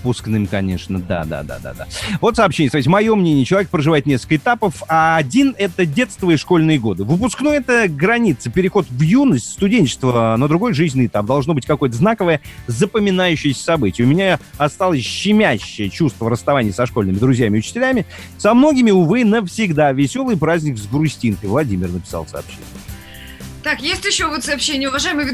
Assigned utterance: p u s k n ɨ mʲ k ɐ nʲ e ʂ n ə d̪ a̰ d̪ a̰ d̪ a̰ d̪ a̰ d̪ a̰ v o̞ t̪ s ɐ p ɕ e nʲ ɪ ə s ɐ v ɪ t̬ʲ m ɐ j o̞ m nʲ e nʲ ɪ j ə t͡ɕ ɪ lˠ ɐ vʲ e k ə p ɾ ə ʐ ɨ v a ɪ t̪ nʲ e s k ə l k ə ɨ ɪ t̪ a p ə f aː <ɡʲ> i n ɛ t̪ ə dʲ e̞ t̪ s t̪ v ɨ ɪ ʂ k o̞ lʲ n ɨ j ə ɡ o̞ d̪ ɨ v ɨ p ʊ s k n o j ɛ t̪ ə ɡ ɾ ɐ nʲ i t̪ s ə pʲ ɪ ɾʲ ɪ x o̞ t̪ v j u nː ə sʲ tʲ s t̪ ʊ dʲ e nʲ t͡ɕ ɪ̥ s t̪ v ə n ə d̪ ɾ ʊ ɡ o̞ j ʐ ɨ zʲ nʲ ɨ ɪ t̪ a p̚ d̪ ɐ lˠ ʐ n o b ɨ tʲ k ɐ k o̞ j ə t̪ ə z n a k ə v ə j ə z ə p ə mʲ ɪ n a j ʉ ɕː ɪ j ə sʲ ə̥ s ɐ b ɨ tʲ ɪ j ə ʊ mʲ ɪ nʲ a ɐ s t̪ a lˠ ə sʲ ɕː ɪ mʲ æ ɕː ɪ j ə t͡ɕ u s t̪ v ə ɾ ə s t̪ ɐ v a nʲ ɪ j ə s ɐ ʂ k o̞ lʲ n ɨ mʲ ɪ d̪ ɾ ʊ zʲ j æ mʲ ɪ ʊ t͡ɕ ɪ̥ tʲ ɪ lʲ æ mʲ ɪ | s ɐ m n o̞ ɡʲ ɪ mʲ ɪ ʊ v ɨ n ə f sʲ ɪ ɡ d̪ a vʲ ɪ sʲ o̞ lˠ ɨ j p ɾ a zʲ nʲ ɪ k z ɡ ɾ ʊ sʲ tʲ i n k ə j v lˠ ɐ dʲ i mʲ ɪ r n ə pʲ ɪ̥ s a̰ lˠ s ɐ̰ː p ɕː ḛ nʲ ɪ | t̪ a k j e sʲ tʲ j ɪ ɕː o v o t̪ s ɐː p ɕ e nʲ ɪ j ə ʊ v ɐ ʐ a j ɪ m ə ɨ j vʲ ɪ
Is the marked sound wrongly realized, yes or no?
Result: yes